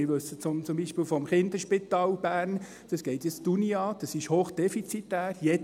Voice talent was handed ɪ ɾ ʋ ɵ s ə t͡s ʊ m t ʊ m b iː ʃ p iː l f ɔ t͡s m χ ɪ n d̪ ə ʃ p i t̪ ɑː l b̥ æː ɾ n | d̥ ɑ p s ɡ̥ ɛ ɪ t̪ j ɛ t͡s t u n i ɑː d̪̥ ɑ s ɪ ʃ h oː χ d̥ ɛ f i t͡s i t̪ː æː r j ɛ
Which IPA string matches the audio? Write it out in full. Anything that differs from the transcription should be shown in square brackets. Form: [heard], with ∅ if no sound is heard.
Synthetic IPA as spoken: ɪ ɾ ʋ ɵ s ə t͡s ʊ m [t͡s] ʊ m b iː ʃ p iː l f ɔ [∅] m χ ɪ n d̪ ə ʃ p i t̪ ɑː l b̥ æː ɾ n | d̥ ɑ [∅] s ɡ̥ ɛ ɪ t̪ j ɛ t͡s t u n i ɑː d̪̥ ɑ s ɪ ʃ h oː χ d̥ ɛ f i t͡s i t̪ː æː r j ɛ